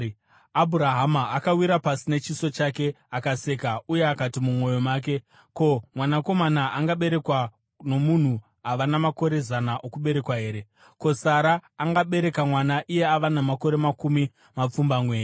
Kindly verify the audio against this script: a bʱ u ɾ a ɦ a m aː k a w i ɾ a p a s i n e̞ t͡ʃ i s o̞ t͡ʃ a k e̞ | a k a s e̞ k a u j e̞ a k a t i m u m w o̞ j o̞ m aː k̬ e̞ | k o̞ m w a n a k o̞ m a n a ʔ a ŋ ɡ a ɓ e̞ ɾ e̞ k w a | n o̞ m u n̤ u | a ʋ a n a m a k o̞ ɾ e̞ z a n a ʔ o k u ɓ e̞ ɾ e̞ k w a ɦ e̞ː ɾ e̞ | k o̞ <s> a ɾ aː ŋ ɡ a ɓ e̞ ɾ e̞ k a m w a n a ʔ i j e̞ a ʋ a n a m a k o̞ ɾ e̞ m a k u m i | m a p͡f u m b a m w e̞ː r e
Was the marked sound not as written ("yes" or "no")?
no